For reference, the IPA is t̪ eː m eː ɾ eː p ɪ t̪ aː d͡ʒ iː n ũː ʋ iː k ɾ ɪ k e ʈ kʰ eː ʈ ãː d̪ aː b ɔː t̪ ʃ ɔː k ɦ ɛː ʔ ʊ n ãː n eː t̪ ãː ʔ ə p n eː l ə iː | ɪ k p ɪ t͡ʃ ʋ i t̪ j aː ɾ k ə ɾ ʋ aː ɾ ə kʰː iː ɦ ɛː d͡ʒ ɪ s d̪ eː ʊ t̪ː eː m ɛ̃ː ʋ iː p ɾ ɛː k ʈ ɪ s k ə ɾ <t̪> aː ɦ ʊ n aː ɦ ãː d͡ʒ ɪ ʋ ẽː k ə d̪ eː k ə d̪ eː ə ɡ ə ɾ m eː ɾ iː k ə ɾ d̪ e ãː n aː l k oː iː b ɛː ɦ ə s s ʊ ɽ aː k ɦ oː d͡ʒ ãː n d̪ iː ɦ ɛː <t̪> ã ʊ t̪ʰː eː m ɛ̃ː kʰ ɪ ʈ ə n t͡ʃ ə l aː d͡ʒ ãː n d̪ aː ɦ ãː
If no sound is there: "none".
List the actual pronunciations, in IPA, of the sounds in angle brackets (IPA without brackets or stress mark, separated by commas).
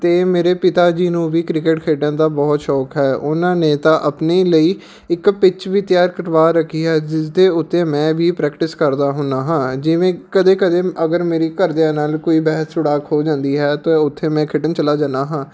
d̪, t̪